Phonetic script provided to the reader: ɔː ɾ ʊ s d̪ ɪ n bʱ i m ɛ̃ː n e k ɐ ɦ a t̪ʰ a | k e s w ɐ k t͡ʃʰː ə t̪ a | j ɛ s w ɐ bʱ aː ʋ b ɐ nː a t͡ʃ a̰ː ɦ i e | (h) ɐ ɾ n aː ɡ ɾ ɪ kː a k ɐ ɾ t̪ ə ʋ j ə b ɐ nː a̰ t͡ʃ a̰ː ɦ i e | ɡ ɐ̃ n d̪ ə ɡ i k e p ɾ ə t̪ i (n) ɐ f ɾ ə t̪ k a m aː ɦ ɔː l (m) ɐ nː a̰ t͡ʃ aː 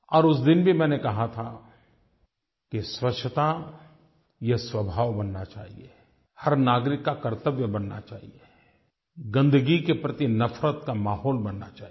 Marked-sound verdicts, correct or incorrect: correct, correct, incorrect: b

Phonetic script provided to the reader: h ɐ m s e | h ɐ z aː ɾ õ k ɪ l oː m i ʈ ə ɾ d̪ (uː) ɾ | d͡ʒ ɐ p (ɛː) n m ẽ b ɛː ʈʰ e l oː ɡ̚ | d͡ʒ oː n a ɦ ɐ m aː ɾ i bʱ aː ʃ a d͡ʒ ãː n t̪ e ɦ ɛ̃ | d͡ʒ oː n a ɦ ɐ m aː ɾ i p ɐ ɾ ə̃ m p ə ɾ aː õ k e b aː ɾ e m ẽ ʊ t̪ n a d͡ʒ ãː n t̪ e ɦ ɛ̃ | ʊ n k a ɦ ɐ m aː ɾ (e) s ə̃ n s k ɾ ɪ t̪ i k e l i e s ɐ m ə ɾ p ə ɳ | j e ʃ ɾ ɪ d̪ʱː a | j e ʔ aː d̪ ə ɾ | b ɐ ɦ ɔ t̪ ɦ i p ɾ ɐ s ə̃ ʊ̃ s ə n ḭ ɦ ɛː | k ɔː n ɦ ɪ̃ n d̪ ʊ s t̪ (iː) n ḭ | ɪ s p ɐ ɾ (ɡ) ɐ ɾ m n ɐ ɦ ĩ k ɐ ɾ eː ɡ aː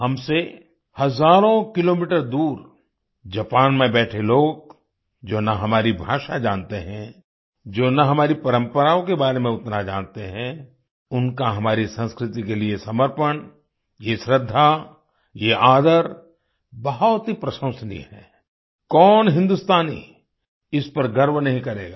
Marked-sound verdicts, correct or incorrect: correct, incorrect: aː, incorrect: i, incorrect: aː, correct

